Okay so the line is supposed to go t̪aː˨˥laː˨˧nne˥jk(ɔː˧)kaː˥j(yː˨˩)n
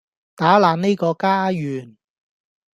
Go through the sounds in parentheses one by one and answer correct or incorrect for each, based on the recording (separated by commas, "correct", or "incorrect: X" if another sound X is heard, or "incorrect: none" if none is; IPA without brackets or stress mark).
correct, correct